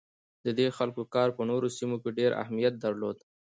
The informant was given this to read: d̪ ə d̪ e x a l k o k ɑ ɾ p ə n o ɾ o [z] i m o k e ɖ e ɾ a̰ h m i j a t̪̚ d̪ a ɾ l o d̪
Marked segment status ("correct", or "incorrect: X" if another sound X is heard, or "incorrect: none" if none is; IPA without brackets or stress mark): incorrect: s